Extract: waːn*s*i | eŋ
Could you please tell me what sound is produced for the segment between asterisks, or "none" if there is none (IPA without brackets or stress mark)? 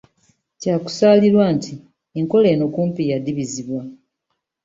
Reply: t